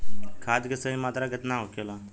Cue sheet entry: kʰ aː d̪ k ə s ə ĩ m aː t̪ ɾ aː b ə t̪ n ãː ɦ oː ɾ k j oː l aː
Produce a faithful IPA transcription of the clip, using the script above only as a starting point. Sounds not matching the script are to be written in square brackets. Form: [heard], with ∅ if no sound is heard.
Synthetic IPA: kʰ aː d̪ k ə s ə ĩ m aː t̪ ɾ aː [ɡ] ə t̪ n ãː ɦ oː [∅] k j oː l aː